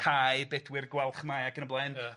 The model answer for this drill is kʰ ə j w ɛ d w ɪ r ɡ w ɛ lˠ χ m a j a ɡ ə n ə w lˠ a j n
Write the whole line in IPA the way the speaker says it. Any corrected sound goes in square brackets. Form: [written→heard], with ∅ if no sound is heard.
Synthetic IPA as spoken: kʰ [ə→a] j [w→b] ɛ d w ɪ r ɡ w ɛ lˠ χ m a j a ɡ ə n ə [w→b] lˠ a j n